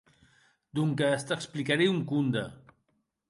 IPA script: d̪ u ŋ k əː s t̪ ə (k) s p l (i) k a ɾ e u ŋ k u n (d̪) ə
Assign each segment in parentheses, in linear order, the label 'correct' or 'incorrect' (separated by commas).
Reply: correct, correct, correct